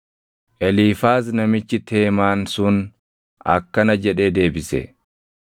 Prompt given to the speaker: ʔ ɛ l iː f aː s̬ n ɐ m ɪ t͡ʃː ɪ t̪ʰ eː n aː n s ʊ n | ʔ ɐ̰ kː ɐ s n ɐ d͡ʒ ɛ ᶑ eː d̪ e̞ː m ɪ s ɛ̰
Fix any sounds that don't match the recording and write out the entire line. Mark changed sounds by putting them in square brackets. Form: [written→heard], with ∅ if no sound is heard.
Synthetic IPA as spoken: ʔ ɛ l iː f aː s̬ n ɐ m ɪ t͡ʃː ɪ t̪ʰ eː [n→m] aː n s ʊ n | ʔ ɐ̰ kː ɐ [s→∅] n ɐ d͡ʒ ɛ ᶑ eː d̪ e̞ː [m→b] ɪ s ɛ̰